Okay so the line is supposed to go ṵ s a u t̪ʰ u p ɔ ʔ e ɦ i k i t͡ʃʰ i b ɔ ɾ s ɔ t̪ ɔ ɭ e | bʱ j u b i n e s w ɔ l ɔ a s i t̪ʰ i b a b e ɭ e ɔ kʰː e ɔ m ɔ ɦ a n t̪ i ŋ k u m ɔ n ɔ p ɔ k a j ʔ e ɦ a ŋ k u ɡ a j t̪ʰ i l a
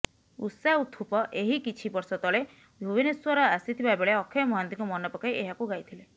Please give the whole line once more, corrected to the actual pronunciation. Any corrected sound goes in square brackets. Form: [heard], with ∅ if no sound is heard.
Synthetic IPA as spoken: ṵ s a u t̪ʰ u p ɔ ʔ e ɦ i k i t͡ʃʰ i b ɔ ɾ s ɔ t̪ ɔ ɭ e | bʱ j u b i n e s w ɔ [ɾ] ɔ a s i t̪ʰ i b a b e ɭ e ɔ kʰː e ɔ m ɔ ɦ a n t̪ i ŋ k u m ɔ n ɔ p ɔ k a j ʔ e ɦ a [∅] k u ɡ a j t̪ʰ i l [e]